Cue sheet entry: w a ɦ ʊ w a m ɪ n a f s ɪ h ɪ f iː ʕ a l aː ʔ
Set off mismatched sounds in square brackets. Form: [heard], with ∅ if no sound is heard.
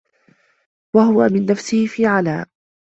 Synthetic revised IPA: w a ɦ ʊ w a m ɪ [nː] a f s ɪ h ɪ f iː ʕ a l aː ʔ